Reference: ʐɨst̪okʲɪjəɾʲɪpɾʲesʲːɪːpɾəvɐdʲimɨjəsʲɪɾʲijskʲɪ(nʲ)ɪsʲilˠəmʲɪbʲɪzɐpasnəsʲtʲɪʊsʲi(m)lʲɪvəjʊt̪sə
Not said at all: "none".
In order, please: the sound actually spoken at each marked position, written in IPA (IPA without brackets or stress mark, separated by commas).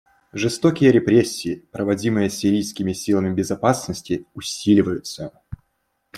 mʲ, none